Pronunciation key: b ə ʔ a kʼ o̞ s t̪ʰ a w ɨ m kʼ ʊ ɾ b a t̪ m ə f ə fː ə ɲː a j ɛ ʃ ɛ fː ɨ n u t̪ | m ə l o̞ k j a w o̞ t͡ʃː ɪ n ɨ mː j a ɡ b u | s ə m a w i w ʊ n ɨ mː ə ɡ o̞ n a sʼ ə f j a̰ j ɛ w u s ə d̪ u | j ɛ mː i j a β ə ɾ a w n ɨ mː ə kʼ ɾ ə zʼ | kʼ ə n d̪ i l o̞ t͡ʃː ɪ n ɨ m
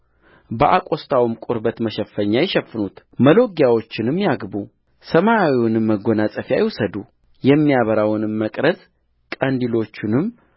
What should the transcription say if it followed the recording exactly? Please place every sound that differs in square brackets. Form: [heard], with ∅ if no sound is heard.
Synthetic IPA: b ə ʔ a kʼ o̞ s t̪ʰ a w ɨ m kʼ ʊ ɾ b [ə] t̪ m ə [ʃ] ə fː ə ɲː a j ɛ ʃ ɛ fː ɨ n u t̪ | m ə l o̞ [ɡ] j a w o̞ t͡ʃː ɪ n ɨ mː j a ɡ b u | s ə m a w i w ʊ n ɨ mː ə ɡ o̞ n a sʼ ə f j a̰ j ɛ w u s ə d̪ u | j ɛ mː i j a β ə ɾ a w n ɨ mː ə kʼ ɾ ə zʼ | kʼ ə n d̪ i l o̞ t͡ʃː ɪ n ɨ m